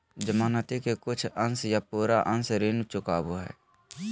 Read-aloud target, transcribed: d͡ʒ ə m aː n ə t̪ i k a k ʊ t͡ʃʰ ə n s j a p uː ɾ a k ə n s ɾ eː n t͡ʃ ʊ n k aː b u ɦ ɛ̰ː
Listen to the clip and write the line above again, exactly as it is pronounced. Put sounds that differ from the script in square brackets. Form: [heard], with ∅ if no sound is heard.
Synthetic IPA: d͡ʒ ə m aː n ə t̪ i k [e] k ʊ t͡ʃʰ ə n s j a p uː ɾ a [ʔ] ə n s ɾ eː n t͡ʃ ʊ [∅] k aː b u ɦ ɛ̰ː